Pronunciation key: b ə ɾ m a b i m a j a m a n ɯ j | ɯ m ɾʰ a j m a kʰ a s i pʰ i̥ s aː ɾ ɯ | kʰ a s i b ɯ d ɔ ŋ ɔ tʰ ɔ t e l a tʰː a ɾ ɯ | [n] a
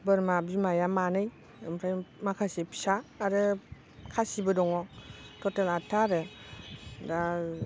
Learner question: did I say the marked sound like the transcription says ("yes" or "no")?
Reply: no